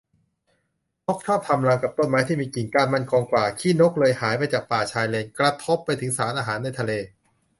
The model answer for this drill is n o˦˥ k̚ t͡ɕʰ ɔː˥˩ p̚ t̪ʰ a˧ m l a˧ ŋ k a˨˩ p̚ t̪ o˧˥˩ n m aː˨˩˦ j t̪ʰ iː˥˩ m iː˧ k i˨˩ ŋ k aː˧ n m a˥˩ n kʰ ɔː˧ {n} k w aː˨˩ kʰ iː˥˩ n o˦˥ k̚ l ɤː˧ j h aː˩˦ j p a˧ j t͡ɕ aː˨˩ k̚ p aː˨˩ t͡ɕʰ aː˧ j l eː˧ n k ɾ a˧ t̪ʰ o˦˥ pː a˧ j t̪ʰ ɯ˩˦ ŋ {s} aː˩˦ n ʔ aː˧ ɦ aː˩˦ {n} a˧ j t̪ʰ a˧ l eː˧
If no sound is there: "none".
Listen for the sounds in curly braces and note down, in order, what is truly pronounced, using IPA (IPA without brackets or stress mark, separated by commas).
ŋ, s, nː